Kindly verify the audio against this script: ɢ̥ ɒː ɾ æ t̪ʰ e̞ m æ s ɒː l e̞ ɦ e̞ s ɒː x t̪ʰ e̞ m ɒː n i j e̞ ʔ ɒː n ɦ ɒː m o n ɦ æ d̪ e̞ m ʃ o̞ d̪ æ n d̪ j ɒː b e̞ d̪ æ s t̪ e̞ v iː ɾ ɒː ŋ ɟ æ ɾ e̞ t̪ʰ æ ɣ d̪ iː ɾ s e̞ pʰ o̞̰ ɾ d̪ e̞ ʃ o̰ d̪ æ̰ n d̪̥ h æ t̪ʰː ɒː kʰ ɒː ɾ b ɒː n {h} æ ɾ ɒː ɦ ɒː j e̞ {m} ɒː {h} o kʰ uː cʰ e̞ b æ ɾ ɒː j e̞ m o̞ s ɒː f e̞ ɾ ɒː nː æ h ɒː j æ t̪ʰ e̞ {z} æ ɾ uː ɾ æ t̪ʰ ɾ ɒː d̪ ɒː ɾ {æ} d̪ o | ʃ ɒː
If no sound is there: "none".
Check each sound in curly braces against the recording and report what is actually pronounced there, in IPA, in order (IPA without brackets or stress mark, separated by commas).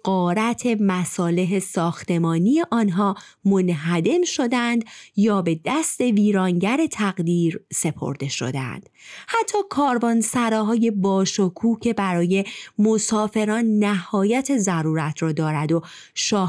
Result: s, b, ʃ, z, æ